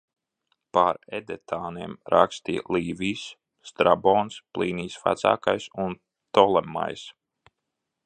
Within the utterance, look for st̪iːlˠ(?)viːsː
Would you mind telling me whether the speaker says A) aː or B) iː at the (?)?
B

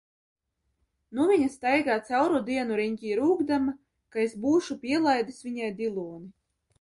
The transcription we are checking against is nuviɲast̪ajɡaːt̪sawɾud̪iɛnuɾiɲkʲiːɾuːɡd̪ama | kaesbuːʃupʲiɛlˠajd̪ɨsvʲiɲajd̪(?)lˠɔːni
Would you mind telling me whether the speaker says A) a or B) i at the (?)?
B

